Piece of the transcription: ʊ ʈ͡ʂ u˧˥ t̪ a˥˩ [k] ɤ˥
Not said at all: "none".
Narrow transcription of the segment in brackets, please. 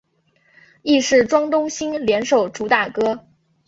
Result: k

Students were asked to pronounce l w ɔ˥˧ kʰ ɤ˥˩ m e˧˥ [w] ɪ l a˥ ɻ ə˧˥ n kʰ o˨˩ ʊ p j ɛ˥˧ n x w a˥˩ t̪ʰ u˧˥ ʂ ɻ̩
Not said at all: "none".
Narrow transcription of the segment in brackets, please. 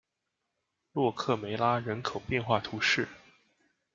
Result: none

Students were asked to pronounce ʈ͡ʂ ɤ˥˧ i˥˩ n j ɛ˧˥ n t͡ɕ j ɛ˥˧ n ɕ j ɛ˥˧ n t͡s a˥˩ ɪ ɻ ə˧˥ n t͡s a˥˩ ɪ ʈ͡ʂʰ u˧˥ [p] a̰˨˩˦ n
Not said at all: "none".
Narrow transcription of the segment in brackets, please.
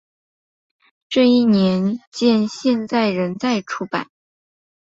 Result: p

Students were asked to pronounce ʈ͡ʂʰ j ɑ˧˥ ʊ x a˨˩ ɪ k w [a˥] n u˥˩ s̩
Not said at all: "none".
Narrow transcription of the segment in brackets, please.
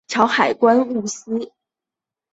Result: a˥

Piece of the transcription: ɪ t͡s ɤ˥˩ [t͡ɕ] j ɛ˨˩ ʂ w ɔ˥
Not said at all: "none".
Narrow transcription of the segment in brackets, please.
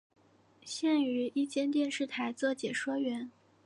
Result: t͡ɕ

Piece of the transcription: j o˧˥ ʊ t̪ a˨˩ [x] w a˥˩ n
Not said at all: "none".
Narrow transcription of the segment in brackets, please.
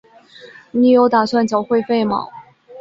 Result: s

